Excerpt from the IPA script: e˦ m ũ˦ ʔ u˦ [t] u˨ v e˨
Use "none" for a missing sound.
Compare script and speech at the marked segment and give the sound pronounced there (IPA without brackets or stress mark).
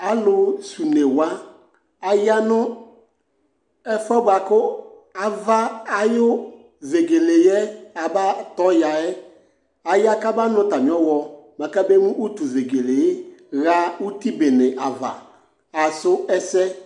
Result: t